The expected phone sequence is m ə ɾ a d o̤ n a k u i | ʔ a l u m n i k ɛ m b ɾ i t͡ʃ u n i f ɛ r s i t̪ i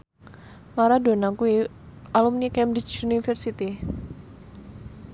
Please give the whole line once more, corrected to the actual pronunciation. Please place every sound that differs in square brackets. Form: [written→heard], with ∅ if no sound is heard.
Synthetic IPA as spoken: m [ə→a] ɾ a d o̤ n a k u i | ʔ a l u m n i k ɛ m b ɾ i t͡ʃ u n i f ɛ r s i t̪ i